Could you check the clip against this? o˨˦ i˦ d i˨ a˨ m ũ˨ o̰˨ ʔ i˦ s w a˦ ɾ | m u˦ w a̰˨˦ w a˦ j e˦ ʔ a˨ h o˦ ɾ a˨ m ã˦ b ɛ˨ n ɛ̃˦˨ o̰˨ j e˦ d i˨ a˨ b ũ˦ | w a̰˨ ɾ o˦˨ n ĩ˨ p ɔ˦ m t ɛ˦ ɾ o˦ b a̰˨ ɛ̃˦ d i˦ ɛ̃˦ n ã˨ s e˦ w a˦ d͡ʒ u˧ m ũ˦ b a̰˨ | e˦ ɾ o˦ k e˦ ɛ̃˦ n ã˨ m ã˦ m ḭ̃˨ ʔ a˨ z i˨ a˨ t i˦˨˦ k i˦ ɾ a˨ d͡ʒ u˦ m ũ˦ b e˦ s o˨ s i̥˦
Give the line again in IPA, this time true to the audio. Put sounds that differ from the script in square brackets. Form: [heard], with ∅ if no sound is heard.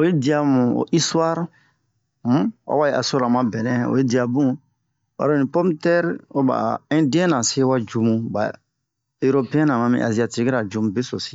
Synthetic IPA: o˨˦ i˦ d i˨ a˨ m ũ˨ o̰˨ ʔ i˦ s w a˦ ɾ | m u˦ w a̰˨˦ w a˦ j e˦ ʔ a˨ [s] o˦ ɾ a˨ m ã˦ b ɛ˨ n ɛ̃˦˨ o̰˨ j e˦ d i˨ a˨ b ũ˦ | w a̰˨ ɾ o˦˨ n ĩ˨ p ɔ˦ m t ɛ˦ ɾ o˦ b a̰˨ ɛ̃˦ d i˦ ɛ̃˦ n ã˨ s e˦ w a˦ d͡ʒ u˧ m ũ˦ b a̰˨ | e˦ ɾ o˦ [p] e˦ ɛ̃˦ n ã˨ m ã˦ m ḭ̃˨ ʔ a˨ z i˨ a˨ t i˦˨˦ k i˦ ɾ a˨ d͡ʒ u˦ m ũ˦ b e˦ s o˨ s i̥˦